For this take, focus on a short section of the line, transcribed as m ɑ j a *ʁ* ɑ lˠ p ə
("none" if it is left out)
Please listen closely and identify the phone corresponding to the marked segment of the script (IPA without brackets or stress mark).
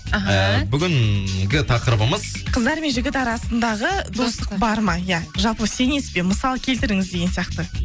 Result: ʒ